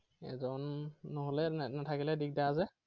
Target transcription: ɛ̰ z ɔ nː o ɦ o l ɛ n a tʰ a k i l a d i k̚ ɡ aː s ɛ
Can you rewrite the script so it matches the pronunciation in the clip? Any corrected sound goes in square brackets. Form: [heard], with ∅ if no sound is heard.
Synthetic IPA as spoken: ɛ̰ z ɔ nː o ɦ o l ɛ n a tʰ a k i l [ɛ] d i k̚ [d] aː [z] ɛ